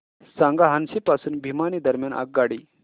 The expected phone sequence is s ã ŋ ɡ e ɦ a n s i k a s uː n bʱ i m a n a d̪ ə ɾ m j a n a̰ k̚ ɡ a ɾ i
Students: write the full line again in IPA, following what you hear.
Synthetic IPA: s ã ŋ ɡ a ɦ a n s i p a s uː n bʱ i m a n i d̪ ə ɾ m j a n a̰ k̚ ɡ a ɽ i